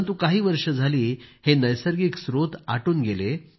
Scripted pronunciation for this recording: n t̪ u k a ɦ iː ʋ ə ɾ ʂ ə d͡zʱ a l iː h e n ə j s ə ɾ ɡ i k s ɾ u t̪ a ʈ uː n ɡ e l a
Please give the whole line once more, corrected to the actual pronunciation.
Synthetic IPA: n t̪ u k a ɦ iː ʋ ə ɾ ʂ ə d͡zʱ a l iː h e n ə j s ə ɾ ɡ i k s ɾ o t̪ a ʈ uː n ɡ e l e

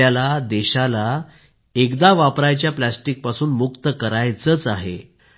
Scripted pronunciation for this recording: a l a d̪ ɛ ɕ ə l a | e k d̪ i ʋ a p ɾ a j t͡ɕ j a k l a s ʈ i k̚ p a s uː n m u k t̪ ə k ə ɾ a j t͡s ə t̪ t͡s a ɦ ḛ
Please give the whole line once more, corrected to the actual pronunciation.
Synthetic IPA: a l a d̪ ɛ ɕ a l a | e k d̪ a ʋ a p ɾ a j t͡ɕ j a p l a s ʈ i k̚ p a s uː n m u k t̪ ə k ə ɾ a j t͡s ə t͡s a ɦ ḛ

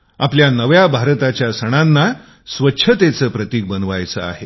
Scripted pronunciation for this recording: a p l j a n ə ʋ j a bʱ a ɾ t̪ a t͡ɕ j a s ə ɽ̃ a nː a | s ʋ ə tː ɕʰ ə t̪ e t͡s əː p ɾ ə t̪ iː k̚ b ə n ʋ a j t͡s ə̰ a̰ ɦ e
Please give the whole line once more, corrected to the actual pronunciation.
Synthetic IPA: a p l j a n ə ʋ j a bʱ a ɾ t̪ a t͡ɕ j a s ə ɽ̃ a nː a | s ʋ ə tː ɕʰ ə t̪ e t͡s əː p ɾ ə t̪ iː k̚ b ə n ʋ a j t͡s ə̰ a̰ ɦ e

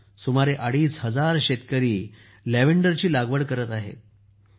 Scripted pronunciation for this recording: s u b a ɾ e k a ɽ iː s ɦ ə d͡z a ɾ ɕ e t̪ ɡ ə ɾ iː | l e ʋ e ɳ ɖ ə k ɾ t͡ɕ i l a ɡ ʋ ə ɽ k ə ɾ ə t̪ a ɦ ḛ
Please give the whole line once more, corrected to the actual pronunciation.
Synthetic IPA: s u m a ɾ e ʔ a ɽ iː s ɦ ə d͡z a ɾ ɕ e t̪ k ə ɾ iː | l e ʋ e ɳ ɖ ə ɾ t͡ɕ iː l a ɡ ʋ ə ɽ k ə ɾ ə t̪ a ɦ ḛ

